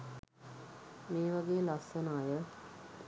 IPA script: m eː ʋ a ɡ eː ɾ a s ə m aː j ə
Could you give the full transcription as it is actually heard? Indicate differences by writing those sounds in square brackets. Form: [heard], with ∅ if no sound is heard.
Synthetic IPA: m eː ʋ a ɡ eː [l] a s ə [n] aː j ə